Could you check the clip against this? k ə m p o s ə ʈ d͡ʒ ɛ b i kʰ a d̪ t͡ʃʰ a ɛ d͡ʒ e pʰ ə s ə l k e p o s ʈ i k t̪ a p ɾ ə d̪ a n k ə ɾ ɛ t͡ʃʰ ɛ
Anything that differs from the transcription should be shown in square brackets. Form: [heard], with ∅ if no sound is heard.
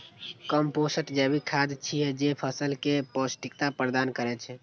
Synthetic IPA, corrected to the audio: k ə m p o s ə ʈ d͡ʒ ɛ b i kʰ a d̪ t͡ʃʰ [i] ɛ d͡ʒ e pʰ ə s ə l k e p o s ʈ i k t̪ a p ɾ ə d̪ a n k ə ɾ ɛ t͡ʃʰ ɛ